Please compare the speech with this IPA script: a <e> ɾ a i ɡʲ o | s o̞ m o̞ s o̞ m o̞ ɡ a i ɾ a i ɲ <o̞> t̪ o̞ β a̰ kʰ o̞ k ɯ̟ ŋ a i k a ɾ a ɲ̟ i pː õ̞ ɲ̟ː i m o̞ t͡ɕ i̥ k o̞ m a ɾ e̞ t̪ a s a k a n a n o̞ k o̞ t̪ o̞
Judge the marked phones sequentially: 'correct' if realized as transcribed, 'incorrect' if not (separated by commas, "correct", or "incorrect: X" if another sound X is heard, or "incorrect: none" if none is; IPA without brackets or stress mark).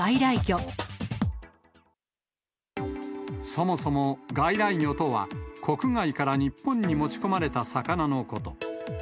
incorrect: i, correct